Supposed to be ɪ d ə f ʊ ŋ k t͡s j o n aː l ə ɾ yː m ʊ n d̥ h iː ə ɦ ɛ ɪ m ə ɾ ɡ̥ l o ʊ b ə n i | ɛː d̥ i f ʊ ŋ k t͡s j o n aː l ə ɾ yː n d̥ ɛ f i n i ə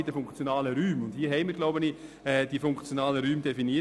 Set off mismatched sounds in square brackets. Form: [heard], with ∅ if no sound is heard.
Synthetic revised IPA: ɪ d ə f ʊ ŋ k t͡s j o n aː l ə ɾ yː m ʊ n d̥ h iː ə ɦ ɛ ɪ m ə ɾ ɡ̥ l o ʊ b ə n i | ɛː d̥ i f ʊ ŋ k t͡s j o n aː l ə ɾ yː [m] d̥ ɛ f i n i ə